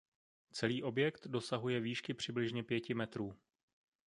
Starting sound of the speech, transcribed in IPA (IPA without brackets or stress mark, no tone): t͡s